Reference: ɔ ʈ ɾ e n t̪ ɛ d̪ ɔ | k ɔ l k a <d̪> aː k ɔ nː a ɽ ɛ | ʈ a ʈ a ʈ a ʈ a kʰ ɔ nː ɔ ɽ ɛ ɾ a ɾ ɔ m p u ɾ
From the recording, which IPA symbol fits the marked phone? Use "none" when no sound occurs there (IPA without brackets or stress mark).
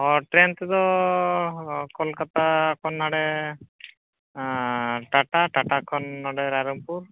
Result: t̪